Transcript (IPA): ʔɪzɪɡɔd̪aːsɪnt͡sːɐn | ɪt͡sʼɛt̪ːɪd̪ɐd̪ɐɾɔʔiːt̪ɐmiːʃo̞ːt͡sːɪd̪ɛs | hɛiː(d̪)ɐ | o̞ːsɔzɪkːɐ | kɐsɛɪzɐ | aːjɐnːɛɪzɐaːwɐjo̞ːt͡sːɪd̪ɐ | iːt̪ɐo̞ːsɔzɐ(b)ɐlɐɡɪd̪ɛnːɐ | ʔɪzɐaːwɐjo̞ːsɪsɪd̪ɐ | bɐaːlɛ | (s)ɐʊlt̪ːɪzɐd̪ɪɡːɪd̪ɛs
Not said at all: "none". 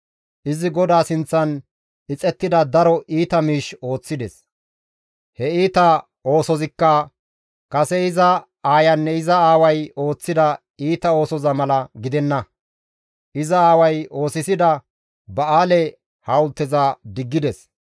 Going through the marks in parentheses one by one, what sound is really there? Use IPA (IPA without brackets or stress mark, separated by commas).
t̪, m, h